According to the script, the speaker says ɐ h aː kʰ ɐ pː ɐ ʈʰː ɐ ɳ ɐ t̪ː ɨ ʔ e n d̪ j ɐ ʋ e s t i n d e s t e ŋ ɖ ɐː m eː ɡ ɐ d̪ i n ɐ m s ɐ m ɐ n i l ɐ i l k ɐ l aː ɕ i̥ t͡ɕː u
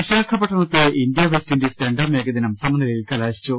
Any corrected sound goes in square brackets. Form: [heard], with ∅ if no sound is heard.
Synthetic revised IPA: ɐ [ɕ] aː kʰ ɐ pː ɐ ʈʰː ɐ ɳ ɐ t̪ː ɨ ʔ [i] n d̪ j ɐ ʋ e s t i n d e s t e [ɳ] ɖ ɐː m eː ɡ ɐ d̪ i n ɐ m s ɐ m ɐ n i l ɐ i l k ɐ l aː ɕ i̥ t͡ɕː u